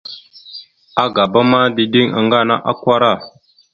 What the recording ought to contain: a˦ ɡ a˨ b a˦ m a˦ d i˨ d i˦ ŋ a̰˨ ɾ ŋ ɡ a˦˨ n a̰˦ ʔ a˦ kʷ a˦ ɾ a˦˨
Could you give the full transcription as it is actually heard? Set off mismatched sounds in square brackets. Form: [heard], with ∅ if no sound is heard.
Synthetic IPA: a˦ ɡ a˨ b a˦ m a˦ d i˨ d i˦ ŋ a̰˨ [∅] ŋ ɡ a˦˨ n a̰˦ ʔ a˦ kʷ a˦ ɾ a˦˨